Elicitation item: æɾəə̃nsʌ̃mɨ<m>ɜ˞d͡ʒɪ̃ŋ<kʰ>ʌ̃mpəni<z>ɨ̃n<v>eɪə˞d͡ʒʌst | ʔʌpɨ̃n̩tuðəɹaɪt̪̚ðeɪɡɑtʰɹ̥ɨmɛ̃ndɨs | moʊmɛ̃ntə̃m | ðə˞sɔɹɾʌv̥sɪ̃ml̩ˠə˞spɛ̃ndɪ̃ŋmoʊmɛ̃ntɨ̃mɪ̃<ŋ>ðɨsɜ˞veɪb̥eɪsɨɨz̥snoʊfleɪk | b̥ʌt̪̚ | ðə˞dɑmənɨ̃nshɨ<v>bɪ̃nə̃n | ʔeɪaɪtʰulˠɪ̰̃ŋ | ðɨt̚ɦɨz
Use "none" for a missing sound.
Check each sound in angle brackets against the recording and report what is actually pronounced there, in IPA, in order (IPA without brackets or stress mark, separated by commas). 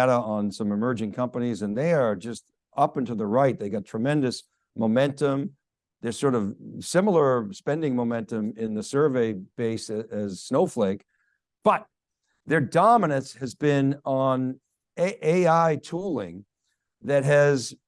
m, kʰ, z, ð, n, z